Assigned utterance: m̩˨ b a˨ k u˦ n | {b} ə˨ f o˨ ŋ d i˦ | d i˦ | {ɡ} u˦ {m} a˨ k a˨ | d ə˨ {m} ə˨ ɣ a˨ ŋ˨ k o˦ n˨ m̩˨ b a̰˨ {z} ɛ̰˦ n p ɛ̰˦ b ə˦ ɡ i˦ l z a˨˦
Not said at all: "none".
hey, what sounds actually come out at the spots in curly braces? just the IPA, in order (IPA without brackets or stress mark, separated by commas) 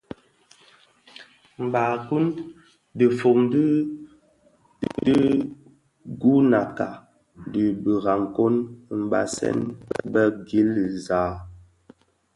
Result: d, ɡ, n, b, s